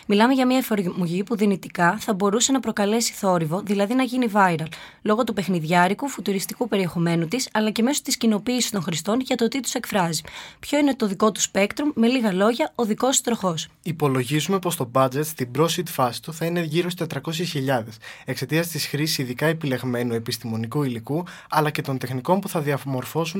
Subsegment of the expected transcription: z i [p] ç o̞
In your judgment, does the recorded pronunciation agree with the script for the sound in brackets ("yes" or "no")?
yes